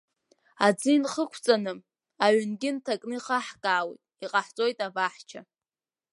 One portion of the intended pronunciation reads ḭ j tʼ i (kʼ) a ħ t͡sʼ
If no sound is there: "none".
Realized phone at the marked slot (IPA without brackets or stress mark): qʼ